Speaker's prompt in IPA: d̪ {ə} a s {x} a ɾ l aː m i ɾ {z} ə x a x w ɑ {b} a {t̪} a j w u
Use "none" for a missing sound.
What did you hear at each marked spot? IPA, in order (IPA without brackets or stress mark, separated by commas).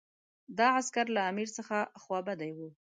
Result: ɑ, k, s, b, d̪